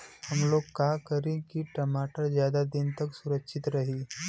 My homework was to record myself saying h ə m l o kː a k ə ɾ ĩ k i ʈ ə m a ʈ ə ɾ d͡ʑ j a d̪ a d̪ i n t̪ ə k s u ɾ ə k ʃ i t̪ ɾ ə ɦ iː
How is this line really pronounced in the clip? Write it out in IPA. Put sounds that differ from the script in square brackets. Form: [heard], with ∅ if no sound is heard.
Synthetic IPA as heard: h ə m l o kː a k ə ɾ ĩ k i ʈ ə m a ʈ ə ɾ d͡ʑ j a d̪ a d̪ i n t̪ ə k s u ɾ ə k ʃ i t̪ ɾ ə ɦ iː